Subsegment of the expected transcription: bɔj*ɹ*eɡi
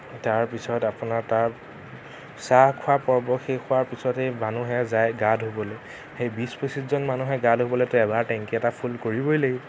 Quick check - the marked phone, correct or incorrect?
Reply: incorrect